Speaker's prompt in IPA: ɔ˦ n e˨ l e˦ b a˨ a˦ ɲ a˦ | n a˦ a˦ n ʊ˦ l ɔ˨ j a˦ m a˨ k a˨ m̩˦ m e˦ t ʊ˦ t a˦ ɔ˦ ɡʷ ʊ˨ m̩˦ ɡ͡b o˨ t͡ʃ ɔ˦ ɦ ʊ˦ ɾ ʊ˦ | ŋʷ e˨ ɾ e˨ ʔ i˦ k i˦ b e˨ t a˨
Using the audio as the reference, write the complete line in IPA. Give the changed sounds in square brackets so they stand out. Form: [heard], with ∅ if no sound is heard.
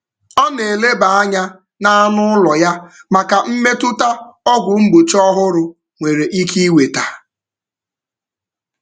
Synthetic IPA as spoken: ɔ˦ n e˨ l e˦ b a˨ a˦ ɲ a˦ | n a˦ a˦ n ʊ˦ l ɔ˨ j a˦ m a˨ k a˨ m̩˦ m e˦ t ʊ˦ t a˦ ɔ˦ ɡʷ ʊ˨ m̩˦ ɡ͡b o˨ t͡ʃ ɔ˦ ɦ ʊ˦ ɾ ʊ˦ | ŋʷ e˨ ɾ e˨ ʔ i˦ k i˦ [w] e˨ t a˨